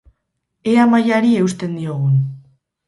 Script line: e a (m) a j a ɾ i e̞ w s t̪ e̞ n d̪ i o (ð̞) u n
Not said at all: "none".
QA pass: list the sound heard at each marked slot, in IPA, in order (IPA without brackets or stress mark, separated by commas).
m, ɣ̞